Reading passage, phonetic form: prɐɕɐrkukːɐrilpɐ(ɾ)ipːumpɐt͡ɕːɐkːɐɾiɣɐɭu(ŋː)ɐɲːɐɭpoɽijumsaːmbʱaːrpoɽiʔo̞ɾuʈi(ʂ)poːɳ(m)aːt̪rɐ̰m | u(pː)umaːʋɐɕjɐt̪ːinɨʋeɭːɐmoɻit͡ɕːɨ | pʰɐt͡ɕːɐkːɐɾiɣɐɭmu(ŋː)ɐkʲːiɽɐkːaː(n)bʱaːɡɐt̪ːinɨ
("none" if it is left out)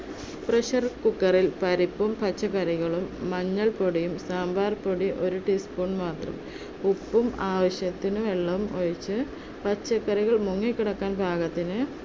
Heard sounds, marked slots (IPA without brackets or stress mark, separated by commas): ɾ, mː, s, m, pː, ŋː, n